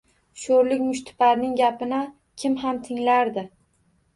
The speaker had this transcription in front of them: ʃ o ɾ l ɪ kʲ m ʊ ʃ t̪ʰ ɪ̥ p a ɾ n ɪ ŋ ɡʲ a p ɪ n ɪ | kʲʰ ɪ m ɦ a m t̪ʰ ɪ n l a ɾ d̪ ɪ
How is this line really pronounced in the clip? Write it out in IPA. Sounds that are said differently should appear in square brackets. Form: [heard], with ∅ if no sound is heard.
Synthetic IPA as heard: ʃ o ɾ l ɪ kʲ m ʊ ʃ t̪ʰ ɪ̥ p a ɾ n ɪ ŋ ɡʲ a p ɪ n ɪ | kʲʰ ɪ m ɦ a m t̪ʰ ɪ [ŋ] l a ɾ d̪ ɪ